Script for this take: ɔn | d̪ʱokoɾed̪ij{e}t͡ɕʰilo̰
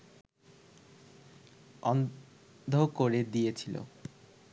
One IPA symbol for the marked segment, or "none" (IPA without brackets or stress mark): e